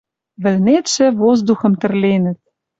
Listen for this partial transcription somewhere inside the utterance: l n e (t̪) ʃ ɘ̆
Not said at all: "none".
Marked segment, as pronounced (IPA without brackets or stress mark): t̪